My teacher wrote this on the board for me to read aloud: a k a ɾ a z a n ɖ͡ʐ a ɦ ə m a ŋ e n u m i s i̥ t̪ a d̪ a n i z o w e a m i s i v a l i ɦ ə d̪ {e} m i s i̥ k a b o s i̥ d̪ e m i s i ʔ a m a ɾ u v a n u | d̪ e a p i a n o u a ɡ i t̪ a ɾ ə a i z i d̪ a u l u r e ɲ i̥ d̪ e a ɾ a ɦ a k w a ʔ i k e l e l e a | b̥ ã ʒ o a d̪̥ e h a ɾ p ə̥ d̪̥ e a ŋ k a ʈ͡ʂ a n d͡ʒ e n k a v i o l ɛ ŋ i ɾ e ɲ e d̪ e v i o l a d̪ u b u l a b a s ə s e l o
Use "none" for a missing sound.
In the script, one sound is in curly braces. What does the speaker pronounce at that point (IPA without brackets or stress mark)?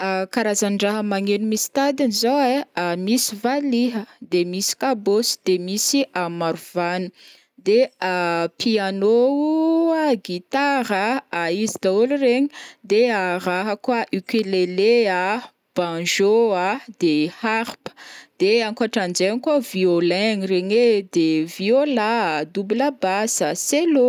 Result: e